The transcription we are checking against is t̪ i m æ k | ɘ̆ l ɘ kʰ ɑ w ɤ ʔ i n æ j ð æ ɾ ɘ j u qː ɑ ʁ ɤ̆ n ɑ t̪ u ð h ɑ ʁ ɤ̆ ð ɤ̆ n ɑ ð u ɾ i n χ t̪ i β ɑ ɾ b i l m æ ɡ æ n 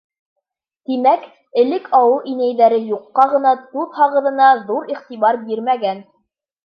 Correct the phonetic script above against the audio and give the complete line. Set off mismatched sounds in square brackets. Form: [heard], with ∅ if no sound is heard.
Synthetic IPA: t̪ i m æ k | ɘ̆ l ɘ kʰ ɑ w ɤ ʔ i n æ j ð æ ɾ ɘ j u qː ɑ ʁ ɤ̆ n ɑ t̪ u ð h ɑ ʁ ɤ̆ ð ɤ̆ n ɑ ð u ɾ i [∅] χ t̪ i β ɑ ɾ b i [ɾ] m æ ɡ æ n